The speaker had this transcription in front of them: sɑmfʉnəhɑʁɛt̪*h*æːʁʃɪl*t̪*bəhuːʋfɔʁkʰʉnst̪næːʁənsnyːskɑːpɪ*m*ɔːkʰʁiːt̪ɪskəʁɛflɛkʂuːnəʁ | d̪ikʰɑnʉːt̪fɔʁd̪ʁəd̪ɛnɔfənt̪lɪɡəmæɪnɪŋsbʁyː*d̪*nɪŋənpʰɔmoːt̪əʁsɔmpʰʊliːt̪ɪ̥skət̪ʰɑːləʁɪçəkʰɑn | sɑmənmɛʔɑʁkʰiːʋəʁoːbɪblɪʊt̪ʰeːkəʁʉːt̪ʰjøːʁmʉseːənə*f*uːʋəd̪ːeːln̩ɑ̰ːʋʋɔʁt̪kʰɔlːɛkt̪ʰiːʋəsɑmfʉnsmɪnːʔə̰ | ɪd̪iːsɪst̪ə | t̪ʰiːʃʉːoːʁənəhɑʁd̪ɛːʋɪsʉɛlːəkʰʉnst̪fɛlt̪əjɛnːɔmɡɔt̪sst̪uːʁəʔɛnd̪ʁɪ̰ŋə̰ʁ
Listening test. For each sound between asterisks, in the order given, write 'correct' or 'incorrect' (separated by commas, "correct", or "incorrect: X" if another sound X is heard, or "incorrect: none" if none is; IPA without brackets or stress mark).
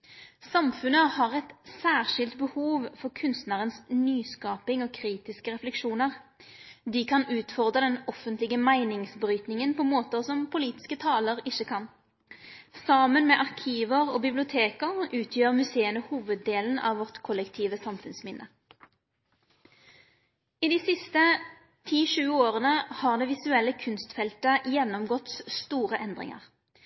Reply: incorrect: s, correct, incorrect: ŋ, incorrect: t̪, incorrect: h